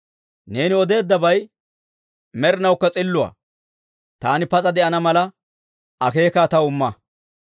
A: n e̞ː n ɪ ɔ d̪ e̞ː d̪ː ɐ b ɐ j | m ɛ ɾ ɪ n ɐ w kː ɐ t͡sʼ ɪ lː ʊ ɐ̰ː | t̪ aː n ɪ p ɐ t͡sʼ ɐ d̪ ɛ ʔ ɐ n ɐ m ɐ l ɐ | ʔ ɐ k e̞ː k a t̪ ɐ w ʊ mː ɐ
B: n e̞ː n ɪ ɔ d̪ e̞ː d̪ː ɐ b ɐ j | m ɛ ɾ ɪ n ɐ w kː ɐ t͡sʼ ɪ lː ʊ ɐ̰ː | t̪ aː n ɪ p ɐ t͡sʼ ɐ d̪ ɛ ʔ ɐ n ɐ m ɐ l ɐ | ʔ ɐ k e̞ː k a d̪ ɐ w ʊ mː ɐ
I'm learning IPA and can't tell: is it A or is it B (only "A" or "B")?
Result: A